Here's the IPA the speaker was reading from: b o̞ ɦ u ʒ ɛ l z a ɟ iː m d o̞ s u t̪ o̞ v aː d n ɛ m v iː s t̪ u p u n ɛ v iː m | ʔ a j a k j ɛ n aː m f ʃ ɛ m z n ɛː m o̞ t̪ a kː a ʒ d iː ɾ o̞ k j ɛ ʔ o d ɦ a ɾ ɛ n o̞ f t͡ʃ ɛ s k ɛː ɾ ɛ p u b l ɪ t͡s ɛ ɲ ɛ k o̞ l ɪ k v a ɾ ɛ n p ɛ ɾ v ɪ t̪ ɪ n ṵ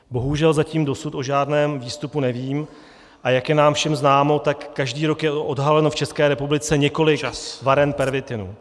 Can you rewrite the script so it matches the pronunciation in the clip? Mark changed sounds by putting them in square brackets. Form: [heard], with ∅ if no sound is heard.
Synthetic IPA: b o̞ ɦ u ʒ ɛ l z a [c] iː m d o̞ s u t̪ o̞ [ʒ] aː d n [ɛː] m v iː s t̪ u p u n ɛ v iː m | ʔ a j a k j ɛ n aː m f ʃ ɛ m z n [aː] m o̞ t̪ a kː a ʒ d iː ɾ o̞ k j ɛ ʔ o d ɦ a [l] ɛ n o̞ f t͡ʃ ɛ s k ɛː ɾ ɛ p u b l ɪ t͡s ɛ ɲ ɛ k o̞ l ɪ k v a ɾ ɛ n p ɛ ɾ v ɪ t̪ ɪ n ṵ